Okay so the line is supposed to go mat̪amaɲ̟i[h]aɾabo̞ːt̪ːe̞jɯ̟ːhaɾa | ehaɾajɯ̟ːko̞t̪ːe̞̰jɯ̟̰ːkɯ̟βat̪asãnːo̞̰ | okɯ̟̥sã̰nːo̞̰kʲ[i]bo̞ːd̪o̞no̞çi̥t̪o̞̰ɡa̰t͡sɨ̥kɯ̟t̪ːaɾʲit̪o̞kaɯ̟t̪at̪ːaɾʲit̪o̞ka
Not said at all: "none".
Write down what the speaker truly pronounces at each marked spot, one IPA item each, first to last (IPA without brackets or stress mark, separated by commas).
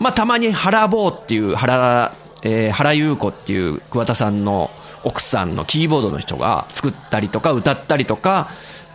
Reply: h, iː